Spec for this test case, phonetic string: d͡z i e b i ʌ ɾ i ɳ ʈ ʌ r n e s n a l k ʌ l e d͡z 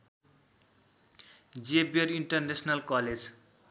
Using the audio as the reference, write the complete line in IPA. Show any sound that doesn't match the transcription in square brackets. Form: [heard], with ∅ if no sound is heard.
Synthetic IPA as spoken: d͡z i e b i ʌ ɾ i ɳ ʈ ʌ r n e s n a l k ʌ l e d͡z

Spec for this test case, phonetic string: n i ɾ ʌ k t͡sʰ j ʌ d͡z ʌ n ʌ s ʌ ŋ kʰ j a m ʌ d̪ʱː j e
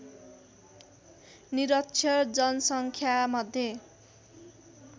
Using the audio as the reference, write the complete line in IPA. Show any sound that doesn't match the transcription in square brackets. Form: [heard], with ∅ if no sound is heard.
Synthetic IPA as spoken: n i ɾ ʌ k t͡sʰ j ʌ d͡z ʌ n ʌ s ʌ ŋ kʰ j a m ʌ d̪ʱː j e

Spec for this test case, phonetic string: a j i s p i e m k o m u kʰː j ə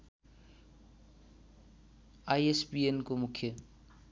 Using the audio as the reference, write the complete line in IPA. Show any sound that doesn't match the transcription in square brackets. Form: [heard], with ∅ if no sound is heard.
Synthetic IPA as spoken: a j [e] s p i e [n] k o m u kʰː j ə

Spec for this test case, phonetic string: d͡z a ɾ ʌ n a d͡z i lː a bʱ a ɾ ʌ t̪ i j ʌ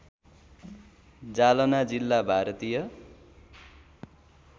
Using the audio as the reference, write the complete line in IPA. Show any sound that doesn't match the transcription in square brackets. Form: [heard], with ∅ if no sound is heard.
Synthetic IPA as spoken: d͡z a [l] ʌ n a d͡z i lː a bʱ a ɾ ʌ t̪ i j ʌ

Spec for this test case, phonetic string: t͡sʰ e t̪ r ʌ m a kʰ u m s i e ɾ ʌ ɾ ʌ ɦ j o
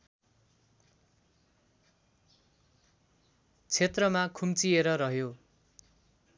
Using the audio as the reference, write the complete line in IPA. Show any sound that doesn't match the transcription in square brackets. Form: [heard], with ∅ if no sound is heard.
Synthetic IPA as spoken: t͡sʰ e t̪ r ʌ m a kʰ u m [t͡s] i e ɾ ʌ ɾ ʌ ɦ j o

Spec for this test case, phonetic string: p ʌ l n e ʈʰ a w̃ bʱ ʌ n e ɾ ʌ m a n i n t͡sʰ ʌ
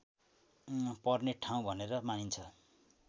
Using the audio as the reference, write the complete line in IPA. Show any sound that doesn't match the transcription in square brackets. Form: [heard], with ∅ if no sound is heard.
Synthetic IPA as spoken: p ʌ [r] n e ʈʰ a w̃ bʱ ʌ n e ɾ ʌ m a n i n t͡sʰ ʌ

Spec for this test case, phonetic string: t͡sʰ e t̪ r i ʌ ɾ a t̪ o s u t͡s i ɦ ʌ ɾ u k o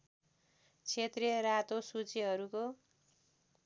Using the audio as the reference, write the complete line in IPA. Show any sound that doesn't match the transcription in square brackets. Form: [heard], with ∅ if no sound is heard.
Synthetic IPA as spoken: t͡sʰ e t̪ r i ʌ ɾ a t̪ o s u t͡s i ɦ ʌ ɾ u k o

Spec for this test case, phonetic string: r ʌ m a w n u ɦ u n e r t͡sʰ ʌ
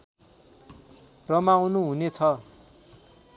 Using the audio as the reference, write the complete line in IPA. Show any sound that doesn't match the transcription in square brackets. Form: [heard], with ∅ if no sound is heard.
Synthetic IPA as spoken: r ʌ m a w n u ɦ u n e [∅] t͡sʰ ʌ

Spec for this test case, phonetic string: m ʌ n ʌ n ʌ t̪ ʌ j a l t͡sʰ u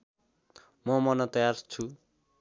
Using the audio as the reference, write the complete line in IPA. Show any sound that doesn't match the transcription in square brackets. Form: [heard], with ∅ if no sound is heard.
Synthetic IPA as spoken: m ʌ [m] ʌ n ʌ t̪ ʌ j a [r] t͡sʰ u

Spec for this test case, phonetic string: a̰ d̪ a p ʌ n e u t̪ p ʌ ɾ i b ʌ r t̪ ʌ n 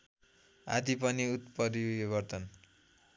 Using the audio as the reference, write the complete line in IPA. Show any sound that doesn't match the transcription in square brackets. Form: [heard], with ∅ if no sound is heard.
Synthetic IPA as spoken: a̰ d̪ [i] p ʌ n [i] u t̪ p ʌ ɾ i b ʌ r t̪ ʌ n

